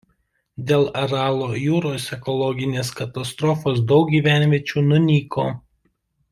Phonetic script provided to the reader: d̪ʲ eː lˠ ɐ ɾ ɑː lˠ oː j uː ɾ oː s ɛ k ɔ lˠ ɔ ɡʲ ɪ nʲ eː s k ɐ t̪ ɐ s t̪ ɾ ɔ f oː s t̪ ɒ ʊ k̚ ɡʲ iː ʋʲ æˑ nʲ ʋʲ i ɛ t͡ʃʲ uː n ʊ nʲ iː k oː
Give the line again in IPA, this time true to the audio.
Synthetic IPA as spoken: d̪ʲ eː lˠ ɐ ɾ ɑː lˠ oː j uː ɾ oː s ɛ k ɔ lˠ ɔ ɡʲ ɪ nʲ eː s k ɐ t̪ ɐ s t̪ ɾ ɔ f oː s d̪ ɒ ʊ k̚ ɡʲ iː ʋʲ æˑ nʲ ʋʲ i ɛ t͡ʃʲ uː n ʊ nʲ iː k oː